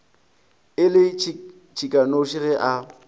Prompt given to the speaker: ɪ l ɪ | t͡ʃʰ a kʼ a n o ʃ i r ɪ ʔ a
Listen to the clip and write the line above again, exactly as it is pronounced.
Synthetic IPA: ɪ l ɪ | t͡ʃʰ i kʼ a n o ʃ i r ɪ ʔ a